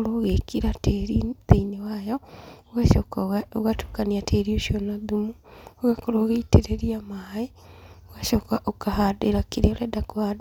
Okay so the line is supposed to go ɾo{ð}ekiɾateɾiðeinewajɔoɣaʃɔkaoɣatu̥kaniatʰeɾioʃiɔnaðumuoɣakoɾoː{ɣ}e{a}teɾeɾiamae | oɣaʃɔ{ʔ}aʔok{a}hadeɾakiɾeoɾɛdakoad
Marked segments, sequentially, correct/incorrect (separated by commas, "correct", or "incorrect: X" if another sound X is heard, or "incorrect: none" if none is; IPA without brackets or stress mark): incorrect: ɣ, correct, incorrect: i, incorrect: k, correct